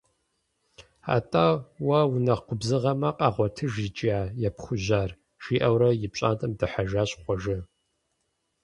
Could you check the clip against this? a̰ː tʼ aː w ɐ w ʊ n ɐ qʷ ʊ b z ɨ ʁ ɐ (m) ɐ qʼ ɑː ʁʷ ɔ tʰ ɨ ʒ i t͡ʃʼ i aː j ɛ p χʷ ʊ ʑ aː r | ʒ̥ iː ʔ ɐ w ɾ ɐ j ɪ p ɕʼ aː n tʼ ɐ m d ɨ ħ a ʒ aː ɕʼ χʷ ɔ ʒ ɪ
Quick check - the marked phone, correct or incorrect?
correct